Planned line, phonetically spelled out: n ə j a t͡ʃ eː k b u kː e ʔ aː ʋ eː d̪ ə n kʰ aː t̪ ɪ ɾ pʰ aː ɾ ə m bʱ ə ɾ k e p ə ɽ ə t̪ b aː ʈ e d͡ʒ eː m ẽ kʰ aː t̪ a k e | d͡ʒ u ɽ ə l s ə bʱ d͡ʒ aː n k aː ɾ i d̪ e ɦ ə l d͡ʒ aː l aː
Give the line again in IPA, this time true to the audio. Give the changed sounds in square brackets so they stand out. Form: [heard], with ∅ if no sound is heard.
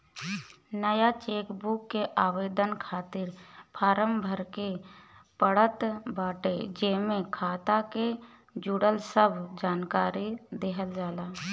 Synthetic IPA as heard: n ə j a t͡ʃ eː k b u kː e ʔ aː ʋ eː d̪ ə n kʰ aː t̪ ɪ ɾ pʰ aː ɾ ə m bʱ ə ɾ k e p ə ɽ ə t̪ b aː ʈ e d͡ʒ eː m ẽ kʰ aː t̪ a k e | d͡ʒ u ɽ ə l s ə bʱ d͡ʒ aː n k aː ɾ i d̪ e ɦ ə l d͡ʒ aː l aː